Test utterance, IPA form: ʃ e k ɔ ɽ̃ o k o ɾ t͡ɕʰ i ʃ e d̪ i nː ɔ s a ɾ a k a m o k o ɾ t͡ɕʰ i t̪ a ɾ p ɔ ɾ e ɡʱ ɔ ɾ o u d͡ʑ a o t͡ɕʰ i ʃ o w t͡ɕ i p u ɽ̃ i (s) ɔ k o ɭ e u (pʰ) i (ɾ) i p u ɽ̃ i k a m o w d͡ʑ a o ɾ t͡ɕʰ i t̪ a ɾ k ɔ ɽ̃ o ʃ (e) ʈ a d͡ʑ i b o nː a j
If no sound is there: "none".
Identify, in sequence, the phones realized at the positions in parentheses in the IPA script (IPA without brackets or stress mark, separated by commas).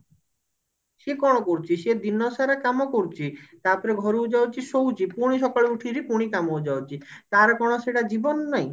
ʃ, ʈʰ, ɾ, e